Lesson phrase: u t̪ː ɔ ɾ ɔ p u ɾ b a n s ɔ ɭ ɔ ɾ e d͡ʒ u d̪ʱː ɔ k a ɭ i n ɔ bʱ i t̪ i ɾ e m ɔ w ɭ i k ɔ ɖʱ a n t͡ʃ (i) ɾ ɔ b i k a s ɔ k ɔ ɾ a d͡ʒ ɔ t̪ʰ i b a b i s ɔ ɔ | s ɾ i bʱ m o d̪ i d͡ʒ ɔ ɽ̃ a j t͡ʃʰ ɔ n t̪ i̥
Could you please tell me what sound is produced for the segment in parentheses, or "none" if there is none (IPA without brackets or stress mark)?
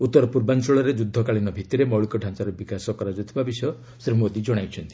a